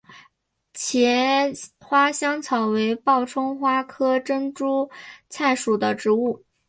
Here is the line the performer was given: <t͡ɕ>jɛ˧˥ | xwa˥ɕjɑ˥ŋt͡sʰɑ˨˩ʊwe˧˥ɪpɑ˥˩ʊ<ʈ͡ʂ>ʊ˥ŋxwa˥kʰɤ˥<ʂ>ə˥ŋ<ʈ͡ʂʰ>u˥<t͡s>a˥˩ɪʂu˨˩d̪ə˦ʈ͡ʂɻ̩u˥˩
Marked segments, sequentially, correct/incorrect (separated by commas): incorrect, incorrect, incorrect, incorrect, incorrect